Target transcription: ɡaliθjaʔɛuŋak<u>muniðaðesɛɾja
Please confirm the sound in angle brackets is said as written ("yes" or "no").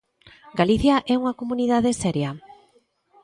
no